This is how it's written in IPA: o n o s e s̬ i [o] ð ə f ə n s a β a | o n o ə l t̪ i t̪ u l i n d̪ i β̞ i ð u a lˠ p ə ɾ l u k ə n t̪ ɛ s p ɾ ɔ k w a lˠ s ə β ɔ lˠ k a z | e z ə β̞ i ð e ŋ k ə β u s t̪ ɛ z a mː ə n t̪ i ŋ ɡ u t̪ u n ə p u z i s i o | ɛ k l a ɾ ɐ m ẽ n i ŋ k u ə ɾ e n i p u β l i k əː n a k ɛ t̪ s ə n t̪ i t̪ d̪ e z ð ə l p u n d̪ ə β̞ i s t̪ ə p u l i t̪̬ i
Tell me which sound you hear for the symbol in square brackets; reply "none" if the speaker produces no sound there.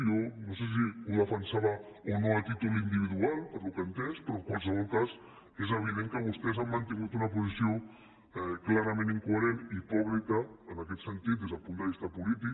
u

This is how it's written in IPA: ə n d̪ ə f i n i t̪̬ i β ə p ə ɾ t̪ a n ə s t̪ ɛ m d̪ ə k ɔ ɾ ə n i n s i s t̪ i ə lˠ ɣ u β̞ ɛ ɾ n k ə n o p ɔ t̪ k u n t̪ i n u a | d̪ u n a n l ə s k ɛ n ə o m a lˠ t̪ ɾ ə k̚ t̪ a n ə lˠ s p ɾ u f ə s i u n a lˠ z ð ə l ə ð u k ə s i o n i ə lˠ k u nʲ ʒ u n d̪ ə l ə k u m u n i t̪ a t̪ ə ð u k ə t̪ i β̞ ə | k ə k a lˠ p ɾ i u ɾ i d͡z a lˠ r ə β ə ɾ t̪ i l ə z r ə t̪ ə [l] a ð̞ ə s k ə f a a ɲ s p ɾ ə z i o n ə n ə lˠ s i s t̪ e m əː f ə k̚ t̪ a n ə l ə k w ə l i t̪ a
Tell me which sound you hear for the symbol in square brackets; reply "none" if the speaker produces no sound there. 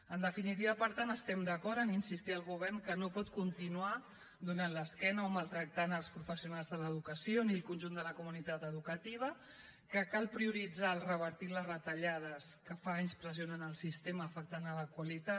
ʎ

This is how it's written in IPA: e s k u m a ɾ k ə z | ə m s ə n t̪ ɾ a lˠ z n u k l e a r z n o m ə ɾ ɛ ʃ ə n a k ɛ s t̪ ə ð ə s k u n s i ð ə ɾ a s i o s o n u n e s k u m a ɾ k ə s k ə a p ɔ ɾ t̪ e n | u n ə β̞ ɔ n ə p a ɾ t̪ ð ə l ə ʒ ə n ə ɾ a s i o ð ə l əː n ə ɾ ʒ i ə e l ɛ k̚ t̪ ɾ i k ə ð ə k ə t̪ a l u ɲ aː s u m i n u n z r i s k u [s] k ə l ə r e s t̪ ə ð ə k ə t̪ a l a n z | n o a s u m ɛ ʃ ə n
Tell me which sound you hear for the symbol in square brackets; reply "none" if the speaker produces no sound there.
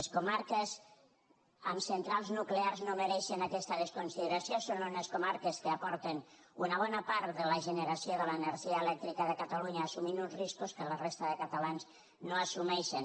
s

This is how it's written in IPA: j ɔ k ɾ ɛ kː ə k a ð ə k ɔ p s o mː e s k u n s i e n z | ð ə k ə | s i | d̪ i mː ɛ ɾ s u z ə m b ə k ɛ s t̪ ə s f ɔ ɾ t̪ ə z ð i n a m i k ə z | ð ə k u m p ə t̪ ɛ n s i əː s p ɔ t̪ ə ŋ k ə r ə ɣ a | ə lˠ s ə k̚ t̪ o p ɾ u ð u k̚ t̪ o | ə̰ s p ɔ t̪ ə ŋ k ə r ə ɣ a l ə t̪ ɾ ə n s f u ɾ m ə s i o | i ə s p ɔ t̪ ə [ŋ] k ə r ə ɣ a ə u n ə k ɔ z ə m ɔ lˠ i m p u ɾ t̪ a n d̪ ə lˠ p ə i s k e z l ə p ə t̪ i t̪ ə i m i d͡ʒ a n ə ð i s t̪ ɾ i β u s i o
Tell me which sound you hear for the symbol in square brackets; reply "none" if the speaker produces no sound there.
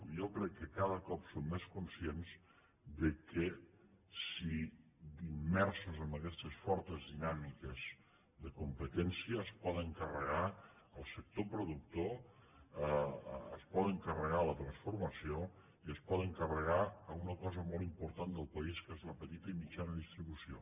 ŋ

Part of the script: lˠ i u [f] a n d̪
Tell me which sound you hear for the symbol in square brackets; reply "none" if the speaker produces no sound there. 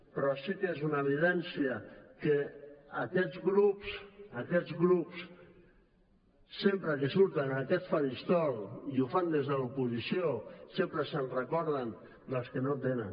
f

